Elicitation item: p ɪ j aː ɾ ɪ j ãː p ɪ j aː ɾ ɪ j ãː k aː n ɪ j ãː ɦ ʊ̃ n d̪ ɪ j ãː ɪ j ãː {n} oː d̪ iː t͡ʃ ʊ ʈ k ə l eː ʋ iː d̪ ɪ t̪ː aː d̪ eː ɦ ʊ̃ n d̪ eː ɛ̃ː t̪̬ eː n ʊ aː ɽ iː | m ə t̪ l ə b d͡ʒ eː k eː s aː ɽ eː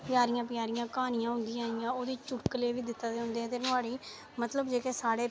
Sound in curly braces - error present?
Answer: yes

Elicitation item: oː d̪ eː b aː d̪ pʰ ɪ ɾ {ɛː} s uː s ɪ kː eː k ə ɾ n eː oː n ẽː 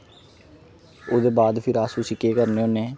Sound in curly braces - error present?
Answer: yes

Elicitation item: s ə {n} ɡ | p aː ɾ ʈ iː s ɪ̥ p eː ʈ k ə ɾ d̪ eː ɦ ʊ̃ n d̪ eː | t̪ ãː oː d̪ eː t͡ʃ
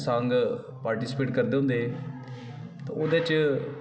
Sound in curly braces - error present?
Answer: yes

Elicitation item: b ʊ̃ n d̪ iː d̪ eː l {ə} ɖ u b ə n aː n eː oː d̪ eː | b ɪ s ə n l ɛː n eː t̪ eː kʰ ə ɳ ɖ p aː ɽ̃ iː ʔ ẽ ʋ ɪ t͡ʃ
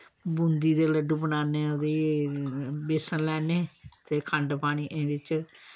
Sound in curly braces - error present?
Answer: no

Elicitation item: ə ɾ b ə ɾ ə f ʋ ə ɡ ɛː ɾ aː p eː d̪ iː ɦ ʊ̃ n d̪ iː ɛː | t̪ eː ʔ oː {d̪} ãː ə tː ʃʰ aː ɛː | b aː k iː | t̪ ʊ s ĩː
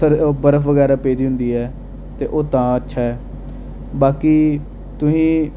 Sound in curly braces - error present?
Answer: yes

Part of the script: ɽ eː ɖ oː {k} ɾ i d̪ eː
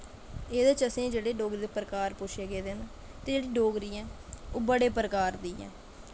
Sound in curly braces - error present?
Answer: yes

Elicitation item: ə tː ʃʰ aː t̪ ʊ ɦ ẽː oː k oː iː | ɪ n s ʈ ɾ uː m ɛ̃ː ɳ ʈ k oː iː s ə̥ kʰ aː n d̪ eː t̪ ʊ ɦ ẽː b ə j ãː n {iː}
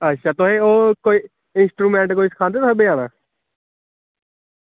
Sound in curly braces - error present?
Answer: yes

